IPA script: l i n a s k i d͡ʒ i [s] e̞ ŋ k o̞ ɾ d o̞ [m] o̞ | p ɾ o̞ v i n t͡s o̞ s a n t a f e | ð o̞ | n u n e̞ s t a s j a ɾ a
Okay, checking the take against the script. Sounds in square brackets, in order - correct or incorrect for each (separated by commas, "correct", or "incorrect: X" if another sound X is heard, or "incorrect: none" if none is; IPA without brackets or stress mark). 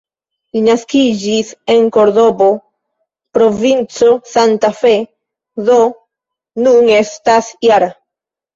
correct, incorrect: b